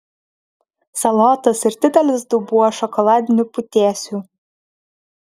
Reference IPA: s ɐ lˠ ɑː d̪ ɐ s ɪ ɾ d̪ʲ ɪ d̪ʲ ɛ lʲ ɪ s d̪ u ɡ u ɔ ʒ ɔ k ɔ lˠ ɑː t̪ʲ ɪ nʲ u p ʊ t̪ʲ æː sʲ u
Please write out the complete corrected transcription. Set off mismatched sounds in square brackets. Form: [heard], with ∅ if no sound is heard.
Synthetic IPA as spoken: s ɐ lˠ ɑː [t̪] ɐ s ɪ ɾ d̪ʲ ɪ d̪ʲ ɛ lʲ ɪ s d̪ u [b] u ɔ [ʃ] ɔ k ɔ lˠ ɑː [d̪ʲ] ɪ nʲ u p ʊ t̪ʲ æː sʲ u